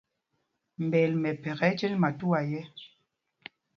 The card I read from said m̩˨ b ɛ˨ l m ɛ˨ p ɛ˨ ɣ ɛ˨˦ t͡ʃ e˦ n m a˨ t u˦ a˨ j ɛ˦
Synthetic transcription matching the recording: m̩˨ b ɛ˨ l m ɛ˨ p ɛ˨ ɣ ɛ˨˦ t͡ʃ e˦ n m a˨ t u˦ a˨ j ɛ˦